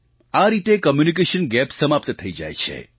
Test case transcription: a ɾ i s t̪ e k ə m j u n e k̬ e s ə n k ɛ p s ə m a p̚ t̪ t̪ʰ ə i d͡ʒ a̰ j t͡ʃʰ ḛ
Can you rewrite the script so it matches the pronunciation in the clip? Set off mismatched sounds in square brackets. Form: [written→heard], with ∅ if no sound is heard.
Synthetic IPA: a ɾ i [s→∅] t̪ e k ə m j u n [e→i] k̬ e [s→ʃ] ə n [k→ɡ] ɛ p s ə m a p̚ t̪ t̪ʰ ə i d͡ʒ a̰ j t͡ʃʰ ḛ